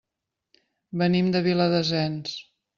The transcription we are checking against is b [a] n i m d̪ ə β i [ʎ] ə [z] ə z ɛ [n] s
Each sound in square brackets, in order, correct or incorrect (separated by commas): incorrect, incorrect, incorrect, correct